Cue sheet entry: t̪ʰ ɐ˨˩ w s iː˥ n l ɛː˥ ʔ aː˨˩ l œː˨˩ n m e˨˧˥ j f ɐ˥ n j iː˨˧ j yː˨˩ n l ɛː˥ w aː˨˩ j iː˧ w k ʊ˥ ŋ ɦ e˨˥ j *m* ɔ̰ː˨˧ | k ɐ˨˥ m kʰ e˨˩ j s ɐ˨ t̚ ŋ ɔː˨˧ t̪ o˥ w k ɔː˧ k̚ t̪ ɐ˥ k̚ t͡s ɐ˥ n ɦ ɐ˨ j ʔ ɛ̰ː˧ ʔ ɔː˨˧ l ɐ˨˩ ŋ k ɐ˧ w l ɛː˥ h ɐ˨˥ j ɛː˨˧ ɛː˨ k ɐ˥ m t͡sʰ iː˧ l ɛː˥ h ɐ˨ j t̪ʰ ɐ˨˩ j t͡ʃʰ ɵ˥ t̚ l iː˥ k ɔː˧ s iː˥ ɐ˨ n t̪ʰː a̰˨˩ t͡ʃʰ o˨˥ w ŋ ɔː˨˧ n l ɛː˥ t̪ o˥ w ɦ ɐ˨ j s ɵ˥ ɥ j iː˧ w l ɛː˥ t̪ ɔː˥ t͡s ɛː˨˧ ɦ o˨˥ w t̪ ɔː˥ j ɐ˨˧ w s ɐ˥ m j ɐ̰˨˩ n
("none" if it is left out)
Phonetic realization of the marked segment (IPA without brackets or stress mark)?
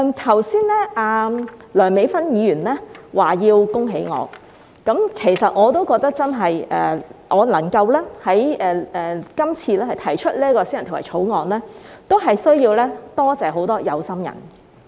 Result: ŋ